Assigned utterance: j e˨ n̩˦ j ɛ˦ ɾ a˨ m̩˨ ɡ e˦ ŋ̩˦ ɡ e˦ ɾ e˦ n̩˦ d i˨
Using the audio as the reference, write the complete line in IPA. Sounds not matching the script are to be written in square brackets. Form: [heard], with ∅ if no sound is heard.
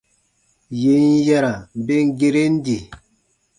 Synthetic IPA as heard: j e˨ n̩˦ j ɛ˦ ɾ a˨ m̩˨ [b] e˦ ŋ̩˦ ɡ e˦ ɾ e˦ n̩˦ d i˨